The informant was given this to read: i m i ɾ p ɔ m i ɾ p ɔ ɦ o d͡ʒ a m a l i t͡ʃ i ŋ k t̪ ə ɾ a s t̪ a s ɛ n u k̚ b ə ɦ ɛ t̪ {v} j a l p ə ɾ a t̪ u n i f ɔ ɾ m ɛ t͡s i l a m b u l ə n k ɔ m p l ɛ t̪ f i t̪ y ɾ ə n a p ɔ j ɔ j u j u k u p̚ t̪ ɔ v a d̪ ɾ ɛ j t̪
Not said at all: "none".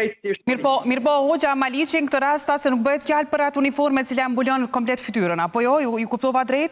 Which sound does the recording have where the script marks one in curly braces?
f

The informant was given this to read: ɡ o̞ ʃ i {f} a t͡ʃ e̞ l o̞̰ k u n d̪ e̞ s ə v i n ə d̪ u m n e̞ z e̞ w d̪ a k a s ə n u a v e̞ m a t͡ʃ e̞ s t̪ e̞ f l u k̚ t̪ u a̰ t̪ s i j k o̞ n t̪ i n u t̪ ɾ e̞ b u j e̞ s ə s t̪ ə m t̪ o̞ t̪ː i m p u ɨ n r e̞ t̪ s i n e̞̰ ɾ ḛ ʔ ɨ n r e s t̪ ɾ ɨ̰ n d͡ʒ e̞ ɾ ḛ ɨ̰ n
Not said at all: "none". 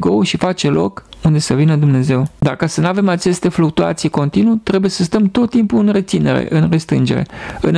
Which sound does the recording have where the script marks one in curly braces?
f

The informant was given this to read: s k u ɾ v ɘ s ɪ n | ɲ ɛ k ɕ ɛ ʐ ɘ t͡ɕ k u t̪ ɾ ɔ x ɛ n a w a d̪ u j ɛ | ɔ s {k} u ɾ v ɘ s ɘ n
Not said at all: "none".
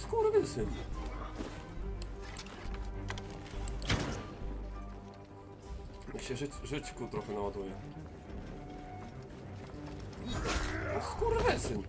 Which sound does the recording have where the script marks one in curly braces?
k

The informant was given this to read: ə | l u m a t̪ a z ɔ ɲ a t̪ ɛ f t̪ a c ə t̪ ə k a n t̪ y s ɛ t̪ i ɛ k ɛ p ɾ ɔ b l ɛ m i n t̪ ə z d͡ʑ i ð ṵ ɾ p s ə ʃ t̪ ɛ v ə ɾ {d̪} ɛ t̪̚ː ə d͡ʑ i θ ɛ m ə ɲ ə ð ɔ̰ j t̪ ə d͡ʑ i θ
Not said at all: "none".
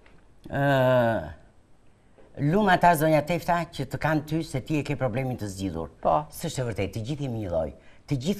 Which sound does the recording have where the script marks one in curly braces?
t̪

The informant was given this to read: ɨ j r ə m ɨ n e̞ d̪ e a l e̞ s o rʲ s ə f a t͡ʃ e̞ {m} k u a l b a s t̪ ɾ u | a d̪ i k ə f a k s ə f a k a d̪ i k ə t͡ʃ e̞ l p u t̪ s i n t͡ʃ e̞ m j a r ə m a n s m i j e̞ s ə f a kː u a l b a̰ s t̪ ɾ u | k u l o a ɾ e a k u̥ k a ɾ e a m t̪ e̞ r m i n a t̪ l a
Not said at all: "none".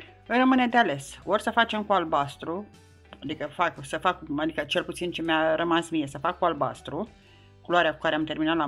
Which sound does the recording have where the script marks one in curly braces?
m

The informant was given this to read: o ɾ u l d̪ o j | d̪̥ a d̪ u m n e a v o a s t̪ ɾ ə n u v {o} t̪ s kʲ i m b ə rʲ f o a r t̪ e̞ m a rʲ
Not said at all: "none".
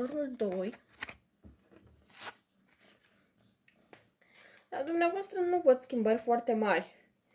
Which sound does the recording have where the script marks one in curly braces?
o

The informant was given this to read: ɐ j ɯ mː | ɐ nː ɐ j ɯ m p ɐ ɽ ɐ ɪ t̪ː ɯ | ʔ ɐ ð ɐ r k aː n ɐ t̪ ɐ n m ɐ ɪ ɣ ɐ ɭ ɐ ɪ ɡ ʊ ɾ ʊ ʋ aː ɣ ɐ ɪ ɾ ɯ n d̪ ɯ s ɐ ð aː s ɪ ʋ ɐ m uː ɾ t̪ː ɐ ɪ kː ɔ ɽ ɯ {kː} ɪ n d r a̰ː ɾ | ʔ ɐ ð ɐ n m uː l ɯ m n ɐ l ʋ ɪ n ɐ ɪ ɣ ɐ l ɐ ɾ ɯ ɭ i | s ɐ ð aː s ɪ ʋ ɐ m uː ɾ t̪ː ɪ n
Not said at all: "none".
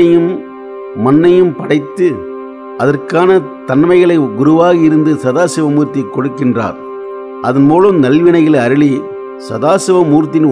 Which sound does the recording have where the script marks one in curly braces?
kː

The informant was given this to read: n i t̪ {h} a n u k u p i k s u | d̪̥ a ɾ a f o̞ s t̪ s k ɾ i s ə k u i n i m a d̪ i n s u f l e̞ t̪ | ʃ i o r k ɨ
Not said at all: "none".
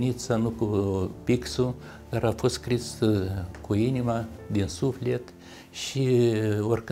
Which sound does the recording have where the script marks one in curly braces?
s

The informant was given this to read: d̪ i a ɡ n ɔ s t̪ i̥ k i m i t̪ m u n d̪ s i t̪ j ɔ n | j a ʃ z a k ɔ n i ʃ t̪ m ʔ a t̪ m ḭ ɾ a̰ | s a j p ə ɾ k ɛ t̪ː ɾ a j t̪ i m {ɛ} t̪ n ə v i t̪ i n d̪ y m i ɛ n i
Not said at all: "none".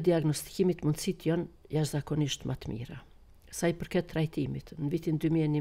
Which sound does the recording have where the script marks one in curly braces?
i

